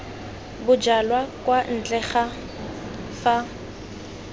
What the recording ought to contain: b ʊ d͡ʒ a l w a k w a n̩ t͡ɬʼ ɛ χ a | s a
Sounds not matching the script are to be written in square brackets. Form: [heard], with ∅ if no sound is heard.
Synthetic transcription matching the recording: b ʊ d͡ʒ a l w a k w a n̩ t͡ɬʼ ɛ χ a | [f] a

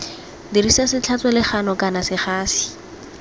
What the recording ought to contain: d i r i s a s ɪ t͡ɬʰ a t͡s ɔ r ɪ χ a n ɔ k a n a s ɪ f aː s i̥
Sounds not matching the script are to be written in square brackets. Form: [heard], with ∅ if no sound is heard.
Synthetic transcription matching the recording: d i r i s a s ɪ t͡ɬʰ a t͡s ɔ [l] ɪ χ a n ɔ k a n a s ɪ [χ] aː s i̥

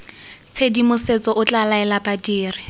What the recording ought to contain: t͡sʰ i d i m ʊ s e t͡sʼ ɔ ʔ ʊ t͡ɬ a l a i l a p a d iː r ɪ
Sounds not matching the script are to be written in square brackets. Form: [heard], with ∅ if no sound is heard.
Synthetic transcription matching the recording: t͡sʰ [e] d i m ʊ s e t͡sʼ ɔ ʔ ʊ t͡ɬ a l a [ɛ] l a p a d iː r ɪ

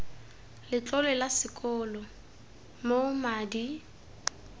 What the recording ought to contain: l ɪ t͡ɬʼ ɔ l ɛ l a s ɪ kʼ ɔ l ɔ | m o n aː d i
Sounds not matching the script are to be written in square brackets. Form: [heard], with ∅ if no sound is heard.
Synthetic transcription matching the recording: l ɪ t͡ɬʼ ɔ l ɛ l a s ɪ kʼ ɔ l ɔ | m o [m] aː d i

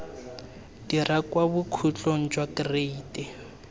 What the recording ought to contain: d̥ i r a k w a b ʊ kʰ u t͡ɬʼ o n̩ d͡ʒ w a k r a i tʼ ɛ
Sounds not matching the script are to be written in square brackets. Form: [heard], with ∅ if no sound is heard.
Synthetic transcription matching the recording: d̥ i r a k w a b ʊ kʰ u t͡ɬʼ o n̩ d͡ʒ w a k r [e] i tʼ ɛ

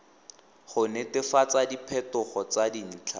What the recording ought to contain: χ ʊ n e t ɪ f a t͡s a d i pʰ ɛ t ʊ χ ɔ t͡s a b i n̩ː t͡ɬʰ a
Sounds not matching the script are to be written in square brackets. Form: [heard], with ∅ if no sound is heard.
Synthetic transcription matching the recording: χ ʊ n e t ɪ f a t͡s a d i pʰ ɛ t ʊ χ ɔ t͡s a [d] i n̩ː t͡ɬʰ a

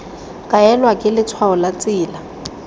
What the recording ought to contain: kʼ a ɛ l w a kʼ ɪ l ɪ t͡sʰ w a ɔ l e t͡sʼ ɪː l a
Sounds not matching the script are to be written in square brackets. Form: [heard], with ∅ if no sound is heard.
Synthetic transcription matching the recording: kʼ a ɛ l w a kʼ ɪ l ɪ t͡sʰ w a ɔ l [a] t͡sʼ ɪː l a

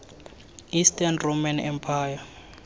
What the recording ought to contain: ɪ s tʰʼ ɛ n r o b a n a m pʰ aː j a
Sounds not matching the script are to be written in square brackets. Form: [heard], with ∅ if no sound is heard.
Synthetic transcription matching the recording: [i] s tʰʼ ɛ n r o [m] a n [ɛ] m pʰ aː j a

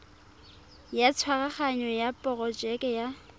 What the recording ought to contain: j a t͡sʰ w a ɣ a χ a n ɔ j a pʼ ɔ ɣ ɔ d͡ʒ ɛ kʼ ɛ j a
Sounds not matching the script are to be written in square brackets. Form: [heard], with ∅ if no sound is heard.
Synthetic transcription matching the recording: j a t͡sʰ w a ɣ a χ a [ɲ] ɔ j a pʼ ɔ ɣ ɔ d͡ʒ ɛ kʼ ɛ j a

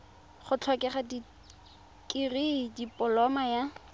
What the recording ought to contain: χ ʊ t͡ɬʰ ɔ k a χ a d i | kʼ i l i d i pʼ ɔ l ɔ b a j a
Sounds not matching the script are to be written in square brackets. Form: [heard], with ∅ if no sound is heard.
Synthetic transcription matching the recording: χ ʊ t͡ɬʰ ɔ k [ɛ] χ a d i | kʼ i [r] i d i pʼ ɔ l ɔ [m] a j a

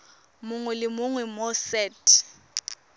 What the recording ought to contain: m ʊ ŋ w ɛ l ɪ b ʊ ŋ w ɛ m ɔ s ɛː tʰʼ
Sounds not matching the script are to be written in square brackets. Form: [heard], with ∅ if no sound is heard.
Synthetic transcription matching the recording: m ʊ ŋ w ɛ l ɪ [m] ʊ ŋ w ɛ m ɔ s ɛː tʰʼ

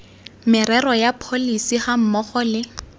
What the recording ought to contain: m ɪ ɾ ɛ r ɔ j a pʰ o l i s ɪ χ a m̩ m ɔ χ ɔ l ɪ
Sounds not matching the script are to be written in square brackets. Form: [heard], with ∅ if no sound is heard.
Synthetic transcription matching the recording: m ɪ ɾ ɛ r ɔ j a pʰ o l i s [i] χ a m̩ m ɔ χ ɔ l ɪ

